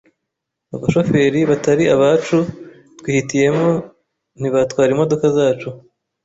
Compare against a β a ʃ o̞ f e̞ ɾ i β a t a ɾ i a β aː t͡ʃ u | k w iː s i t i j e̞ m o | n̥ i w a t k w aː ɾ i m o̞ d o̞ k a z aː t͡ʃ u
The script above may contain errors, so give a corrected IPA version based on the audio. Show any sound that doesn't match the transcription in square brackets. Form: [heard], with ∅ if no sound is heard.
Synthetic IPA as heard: a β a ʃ o̞ f e̞ ɾ i β a t a ɾ i a β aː t͡ʃ u | [t] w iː [h] i t i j e̞ m o | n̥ i [β] a t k w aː ɾ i m o̞ d o̞ k a z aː t͡ʃ u